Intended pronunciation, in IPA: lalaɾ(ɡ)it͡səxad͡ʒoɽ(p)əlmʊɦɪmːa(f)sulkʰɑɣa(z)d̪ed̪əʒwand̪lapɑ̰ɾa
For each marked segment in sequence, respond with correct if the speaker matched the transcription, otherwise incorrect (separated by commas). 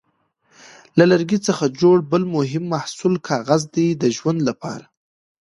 correct, incorrect, incorrect, correct